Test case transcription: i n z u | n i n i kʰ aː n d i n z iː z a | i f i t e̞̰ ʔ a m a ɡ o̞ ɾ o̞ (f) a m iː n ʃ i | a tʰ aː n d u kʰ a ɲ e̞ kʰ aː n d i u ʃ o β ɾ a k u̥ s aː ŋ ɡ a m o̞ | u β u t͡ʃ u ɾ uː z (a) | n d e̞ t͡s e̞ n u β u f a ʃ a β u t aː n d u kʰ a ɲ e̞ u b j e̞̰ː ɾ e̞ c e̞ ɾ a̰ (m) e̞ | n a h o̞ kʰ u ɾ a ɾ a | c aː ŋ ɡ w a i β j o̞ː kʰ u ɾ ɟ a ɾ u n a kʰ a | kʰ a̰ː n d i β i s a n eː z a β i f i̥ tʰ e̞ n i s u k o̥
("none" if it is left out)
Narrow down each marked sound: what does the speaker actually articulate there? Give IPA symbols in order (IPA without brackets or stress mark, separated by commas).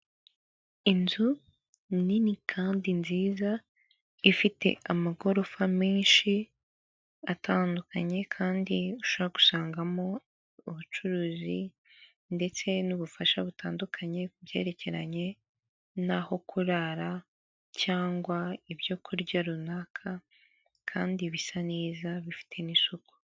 f, i, ɲ